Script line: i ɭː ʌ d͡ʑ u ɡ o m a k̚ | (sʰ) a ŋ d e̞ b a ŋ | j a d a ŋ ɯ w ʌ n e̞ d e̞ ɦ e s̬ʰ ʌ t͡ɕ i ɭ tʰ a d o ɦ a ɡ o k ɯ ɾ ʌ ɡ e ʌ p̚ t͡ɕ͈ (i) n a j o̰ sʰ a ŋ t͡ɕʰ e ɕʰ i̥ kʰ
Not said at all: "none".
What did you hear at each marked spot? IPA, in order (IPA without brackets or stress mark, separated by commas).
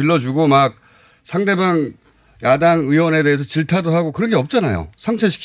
sʰ, a